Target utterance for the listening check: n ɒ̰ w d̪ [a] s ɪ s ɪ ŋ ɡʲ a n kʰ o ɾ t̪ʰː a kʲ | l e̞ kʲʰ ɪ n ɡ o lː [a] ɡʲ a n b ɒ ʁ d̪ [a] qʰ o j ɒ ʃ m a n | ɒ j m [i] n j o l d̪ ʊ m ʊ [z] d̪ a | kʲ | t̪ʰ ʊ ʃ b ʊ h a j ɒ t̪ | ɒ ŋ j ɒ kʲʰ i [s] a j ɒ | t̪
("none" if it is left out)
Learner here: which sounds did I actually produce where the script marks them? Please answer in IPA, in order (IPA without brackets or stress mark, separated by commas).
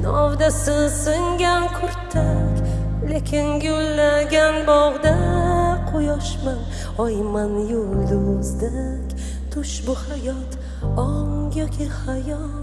a, a, a, a, z, h